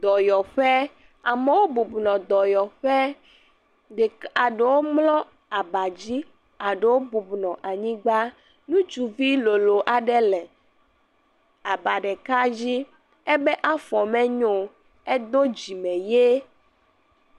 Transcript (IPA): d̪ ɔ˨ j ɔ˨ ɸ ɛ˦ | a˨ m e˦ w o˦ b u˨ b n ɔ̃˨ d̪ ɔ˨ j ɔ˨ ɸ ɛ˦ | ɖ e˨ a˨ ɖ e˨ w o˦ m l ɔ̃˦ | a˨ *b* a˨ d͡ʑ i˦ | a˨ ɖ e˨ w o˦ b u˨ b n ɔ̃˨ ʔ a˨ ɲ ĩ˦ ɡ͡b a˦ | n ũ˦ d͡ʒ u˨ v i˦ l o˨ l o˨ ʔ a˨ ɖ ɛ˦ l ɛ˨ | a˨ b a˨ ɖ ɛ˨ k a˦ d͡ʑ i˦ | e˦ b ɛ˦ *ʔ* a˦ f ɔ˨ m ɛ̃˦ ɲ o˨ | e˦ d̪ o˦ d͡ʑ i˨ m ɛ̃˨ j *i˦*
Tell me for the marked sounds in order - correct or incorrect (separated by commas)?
correct, correct, incorrect